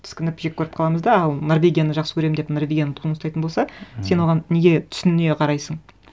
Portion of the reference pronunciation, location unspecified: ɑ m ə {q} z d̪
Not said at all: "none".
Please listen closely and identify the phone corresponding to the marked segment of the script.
none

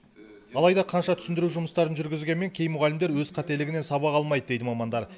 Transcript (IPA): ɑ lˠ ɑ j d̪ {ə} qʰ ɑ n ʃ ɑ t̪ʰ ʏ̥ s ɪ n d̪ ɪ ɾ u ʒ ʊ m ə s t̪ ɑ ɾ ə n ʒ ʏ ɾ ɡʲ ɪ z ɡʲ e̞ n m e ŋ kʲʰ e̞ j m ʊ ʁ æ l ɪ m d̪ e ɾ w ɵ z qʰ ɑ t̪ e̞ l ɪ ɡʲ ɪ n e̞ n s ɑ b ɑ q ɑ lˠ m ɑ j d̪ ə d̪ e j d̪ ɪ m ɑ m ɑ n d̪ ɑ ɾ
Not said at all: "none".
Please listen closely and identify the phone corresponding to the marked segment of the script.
ɑ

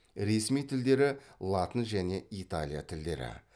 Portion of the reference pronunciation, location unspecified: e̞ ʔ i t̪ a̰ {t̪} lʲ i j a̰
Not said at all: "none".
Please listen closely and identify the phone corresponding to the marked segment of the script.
none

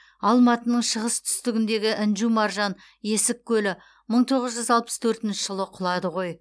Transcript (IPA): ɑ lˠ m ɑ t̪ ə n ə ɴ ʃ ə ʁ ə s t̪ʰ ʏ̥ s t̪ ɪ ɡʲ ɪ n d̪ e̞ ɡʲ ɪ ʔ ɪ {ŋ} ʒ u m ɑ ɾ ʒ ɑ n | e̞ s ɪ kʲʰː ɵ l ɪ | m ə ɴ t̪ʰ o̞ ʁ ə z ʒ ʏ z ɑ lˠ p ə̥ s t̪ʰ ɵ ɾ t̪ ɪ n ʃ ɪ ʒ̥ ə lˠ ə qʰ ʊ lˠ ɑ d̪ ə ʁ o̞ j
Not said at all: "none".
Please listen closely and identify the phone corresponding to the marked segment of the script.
n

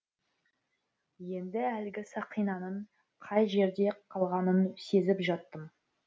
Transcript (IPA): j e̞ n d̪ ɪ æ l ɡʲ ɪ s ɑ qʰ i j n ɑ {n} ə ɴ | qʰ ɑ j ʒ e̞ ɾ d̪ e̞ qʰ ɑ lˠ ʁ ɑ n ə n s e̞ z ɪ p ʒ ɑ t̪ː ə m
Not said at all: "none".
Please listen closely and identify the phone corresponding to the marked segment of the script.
n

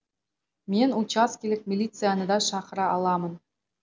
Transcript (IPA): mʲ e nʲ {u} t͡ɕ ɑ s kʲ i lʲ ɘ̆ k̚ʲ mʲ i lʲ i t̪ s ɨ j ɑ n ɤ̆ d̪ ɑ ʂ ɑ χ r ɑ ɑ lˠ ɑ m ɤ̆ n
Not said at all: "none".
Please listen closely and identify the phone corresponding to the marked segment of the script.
u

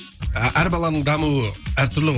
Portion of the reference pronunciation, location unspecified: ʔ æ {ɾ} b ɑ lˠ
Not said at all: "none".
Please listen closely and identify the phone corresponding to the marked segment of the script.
ɾ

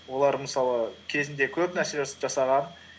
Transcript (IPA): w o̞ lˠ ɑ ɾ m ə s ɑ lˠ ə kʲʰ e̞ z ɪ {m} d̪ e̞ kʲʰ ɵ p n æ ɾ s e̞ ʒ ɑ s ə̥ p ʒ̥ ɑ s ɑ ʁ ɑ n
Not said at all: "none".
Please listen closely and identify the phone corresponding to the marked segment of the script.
n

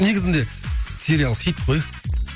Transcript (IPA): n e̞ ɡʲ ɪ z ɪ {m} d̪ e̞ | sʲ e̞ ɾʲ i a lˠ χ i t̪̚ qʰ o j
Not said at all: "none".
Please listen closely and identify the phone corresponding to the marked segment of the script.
n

